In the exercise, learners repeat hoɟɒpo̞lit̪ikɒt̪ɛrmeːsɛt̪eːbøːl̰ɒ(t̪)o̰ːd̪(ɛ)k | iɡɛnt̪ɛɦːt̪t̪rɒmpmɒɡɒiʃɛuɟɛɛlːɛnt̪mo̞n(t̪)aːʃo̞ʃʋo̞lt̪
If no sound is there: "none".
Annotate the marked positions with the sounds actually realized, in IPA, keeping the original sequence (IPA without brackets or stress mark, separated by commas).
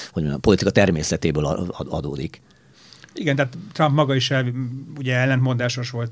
d̪, i, d̪